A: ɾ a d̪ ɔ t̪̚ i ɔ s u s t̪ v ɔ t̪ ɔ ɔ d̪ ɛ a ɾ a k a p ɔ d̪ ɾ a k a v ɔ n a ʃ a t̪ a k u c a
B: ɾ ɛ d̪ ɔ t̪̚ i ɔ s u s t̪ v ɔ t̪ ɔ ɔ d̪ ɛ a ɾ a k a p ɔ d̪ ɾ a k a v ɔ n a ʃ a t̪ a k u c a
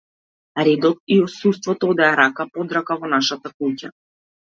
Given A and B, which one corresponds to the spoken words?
B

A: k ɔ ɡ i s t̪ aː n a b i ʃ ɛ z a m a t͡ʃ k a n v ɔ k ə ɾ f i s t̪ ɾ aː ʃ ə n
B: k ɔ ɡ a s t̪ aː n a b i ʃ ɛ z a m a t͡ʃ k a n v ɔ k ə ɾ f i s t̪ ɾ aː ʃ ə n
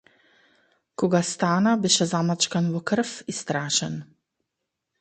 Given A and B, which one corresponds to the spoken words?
B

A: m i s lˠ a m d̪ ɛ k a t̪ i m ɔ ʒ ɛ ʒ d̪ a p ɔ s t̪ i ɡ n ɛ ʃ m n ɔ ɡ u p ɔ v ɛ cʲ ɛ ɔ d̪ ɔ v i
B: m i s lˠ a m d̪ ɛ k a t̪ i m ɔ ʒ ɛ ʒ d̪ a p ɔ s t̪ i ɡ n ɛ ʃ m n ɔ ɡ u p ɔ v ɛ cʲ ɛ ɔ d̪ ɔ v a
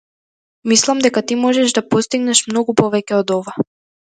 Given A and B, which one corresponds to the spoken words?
B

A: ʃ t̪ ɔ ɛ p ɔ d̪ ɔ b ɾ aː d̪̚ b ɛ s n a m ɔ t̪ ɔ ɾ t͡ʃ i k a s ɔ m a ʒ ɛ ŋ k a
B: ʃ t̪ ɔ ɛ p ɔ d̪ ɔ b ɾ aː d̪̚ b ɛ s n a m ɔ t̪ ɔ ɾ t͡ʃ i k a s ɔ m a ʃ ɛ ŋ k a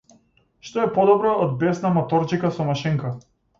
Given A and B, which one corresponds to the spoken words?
B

